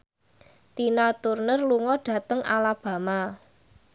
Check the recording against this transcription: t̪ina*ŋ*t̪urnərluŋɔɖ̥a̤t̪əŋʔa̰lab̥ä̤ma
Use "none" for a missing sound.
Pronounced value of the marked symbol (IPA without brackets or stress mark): none